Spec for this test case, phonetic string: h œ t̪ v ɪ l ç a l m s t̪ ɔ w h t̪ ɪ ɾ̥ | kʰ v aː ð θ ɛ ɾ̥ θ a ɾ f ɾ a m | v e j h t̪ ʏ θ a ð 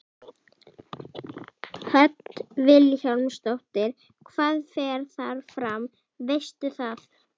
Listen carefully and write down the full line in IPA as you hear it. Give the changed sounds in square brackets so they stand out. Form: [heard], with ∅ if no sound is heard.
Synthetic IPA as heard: h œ t̪ v ɪ l ç a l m s t̪ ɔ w h t̪ ɪ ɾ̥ | kʰ v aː ð [f] ɛ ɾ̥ θ a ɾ f ɾ a m | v e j [s] t̪ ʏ θ a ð

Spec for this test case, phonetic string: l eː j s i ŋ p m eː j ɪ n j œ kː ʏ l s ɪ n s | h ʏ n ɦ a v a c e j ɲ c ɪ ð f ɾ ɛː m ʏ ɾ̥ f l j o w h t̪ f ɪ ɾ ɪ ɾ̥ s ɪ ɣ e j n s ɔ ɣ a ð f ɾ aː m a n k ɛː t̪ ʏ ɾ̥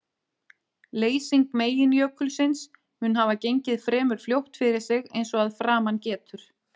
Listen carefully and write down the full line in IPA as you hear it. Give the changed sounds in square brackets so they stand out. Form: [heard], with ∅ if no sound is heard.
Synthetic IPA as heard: l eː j s i ŋ [k] m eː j ɪ n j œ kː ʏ l s ɪ n s | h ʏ n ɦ a v a c e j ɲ c ɪ ð f ɾ ɛː m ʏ ɾ̥ f l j o w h t̪ f ɪ ɾ ɪ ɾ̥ s ɪ ɣ e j n s ɔ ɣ a ð f ɾ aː m a n [c] ɛː t̪ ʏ ɾ̥

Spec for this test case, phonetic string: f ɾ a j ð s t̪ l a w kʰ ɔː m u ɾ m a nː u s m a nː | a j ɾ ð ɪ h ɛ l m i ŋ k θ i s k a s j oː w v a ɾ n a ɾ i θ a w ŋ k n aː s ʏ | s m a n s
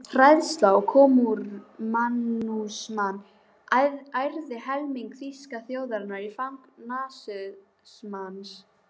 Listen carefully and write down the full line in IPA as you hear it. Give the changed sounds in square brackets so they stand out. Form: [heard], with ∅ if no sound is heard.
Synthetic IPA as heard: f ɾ a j ð s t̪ l a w kʰ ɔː m u ɾ m a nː u s m a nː | a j ɾ ð ɪ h ɛ l m i ŋ k θ i s k a [θ] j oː w [ð] a ɾ n a ɾ i [f] a w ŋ k n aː s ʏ | s m a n s

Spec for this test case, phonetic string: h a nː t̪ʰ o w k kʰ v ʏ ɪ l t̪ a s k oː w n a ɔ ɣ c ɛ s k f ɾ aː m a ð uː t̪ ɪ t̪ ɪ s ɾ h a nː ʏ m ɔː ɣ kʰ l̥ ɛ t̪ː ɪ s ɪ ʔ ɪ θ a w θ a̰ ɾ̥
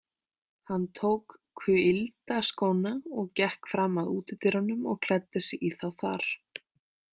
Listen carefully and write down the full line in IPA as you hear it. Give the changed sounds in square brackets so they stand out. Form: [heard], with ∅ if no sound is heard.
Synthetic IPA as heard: h a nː t̪ʰ o w k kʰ v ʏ ɪ l t̪ a s k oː w n a ɔ ɣ c ɛ [h] k f ɾ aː m a ð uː t̪ ɪ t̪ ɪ [∅] ɾ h a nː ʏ m [ɔ] ɣ kʰ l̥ ɛ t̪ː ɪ s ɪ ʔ [i] θ a w θ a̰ ɾ̥

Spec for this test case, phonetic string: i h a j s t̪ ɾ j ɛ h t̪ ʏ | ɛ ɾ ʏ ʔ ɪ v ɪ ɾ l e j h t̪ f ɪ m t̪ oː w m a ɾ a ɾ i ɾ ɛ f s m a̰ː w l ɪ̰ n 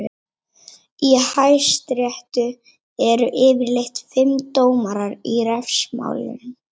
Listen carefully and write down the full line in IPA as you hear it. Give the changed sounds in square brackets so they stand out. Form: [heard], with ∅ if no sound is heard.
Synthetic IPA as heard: i h a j s t̪ ɾ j ɛ h t̪ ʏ | ɛ ɾ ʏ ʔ [ɪː] v ɪ ɾ l e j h t̪ f ɪ m t̪ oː w m a ɾ a ɾ i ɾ ɛ f s m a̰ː w l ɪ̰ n

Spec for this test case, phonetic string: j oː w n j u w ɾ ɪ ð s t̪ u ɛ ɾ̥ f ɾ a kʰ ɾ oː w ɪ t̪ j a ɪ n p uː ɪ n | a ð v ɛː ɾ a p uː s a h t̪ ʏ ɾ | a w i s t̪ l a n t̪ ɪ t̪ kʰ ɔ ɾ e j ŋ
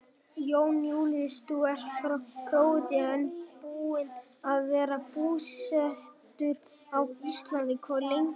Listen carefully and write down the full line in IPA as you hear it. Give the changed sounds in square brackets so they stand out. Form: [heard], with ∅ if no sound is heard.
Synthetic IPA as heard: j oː w n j u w [l] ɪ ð s t̪ u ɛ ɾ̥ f ɾ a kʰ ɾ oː w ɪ t̪ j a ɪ n p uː ɪ n | a ð v ɛː ɾ a p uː s [ɛ] h t̪ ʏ ɾ | a w i s t̪ l a n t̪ ɪ [∅] kʰ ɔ [l] e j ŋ

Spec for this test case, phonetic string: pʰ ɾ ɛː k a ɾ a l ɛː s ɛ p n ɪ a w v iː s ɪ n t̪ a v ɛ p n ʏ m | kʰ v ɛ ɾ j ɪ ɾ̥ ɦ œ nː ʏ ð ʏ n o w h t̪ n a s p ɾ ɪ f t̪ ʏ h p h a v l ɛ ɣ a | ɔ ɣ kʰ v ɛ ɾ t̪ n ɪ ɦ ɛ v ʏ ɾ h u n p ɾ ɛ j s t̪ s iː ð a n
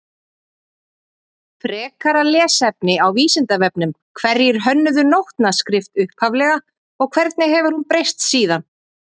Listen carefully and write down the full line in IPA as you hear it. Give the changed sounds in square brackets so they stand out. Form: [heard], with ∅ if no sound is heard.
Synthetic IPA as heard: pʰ ɾ ɛː k a ɾ a l ɛː s ɛ p n ɪ a w v iː s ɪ n t̪ a v ɛ p n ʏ m | kʰ v ɛ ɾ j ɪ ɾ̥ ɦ œ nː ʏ ð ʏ n o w h t̪ n a s [k] ɾ ɪ f t̪ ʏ h p h a v l ɛ ɣ a | ɔ ɣ kʰ v ɛ ɾ t̪ n ɪ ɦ ɛ v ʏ ɾ h u n p ɾ [e] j s t̪ s iː ð a n

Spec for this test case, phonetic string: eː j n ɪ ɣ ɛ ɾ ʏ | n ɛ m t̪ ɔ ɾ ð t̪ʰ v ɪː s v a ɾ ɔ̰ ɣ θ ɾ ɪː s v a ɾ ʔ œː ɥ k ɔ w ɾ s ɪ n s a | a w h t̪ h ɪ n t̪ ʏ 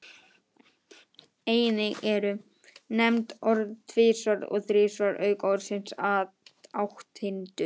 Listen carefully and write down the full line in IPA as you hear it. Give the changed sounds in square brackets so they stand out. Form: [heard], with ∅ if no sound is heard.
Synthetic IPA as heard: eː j n ɪ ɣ ɛ ɾ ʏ | n ɛ m t̪ ɔ ɾ ð t̪ʰ v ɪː s v a ɾ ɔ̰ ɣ θ ɾ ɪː s v a ɾ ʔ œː ɥ k ɔ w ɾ s ɪ n s a | a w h t̪ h ɪ n t̪ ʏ

